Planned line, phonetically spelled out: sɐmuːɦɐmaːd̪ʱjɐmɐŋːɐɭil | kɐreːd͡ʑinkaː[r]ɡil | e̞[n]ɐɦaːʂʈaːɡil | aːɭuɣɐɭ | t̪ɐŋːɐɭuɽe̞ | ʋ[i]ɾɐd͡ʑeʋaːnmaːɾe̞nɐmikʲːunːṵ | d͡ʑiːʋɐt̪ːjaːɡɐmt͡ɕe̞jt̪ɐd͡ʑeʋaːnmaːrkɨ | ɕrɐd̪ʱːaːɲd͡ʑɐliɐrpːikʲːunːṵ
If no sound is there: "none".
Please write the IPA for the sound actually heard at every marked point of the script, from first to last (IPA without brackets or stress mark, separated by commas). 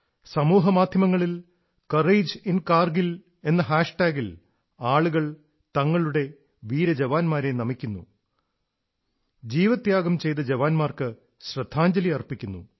r, nː, iː